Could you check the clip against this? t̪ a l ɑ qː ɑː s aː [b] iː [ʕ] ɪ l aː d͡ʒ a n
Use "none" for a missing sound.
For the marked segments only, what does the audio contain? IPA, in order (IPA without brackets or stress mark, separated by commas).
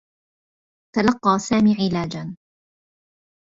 m, ʕ